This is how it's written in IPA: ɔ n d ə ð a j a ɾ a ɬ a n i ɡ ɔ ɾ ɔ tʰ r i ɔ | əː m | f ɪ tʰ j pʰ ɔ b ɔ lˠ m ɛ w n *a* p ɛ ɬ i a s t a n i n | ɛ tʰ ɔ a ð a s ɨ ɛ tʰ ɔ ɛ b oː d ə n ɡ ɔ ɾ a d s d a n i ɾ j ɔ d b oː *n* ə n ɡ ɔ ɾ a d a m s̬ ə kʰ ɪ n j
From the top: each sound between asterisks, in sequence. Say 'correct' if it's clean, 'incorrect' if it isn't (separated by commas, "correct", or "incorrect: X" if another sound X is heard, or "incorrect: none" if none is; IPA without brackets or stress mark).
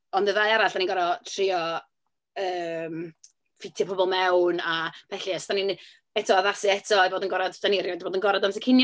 correct, incorrect: d